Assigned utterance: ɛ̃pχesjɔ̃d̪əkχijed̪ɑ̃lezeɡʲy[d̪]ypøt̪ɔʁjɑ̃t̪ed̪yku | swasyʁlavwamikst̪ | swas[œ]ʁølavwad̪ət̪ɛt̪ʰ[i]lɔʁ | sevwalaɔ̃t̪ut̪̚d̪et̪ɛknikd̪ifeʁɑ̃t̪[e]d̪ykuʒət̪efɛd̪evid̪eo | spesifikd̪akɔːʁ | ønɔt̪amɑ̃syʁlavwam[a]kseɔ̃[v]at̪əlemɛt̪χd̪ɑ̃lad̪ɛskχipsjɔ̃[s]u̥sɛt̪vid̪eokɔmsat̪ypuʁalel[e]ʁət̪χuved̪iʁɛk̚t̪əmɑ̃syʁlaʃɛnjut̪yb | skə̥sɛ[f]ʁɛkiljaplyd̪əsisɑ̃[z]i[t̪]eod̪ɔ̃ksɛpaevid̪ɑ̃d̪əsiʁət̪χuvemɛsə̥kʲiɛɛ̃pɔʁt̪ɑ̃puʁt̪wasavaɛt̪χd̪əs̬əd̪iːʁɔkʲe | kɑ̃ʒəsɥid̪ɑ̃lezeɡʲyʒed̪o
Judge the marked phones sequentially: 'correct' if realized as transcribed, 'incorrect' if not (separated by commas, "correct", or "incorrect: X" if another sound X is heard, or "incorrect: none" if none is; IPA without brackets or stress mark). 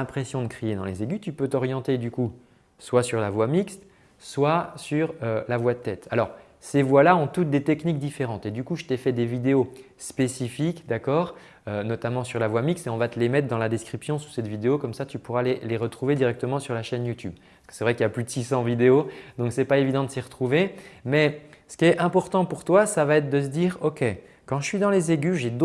incorrect: t̪, incorrect: y, incorrect: a, correct, incorrect: i, correct, correct, correct, incorrect: v, incorrect: v, incorrect: d̪